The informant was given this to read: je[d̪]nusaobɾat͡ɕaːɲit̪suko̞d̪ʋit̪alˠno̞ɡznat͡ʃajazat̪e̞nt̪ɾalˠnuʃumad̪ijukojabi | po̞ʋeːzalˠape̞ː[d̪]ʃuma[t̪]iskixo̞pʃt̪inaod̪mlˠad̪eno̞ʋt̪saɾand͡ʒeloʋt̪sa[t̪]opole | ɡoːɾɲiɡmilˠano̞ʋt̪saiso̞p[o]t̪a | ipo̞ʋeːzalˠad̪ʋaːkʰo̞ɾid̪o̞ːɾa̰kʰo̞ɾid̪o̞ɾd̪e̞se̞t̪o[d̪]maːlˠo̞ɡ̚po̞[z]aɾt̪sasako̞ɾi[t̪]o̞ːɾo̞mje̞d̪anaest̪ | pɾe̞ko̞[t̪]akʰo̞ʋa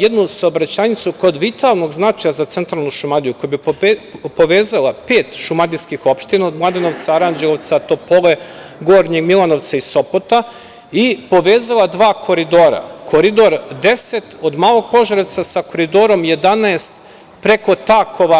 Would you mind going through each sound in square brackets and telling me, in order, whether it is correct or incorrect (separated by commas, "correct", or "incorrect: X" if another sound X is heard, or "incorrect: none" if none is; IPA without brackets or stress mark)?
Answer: correct, incorrect: t̪, incorrect: d̪, correct, correct, correct, incorrect: ʒ, incorrect: d̪, correct